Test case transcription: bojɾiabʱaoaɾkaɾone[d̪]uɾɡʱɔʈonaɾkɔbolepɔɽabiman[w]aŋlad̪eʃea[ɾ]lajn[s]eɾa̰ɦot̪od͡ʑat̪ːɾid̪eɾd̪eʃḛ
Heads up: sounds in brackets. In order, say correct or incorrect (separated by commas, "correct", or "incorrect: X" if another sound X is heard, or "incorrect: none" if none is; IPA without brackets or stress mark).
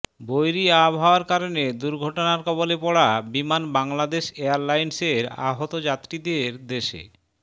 correct, incorrect: b, correct, correct